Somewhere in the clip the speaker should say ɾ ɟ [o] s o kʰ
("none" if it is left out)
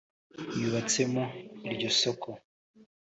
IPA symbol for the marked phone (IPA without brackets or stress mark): o